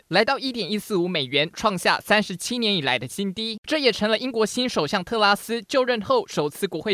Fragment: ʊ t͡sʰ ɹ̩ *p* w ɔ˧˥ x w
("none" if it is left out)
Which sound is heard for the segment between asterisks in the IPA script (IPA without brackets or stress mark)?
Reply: k